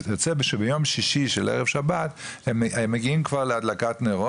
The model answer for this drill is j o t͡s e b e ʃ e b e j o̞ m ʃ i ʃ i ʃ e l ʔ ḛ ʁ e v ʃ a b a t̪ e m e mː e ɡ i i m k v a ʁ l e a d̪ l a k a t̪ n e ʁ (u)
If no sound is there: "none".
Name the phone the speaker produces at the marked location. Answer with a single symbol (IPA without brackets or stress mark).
o